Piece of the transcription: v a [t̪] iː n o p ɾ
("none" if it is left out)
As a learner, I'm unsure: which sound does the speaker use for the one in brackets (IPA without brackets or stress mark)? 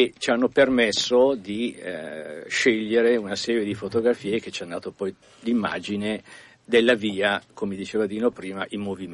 d̪